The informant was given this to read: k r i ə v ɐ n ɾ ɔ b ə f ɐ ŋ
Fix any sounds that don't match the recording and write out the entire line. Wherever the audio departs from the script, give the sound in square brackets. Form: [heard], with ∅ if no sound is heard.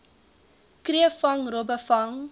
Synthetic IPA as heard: k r i ə [f] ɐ [ŋ] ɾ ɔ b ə f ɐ ŋ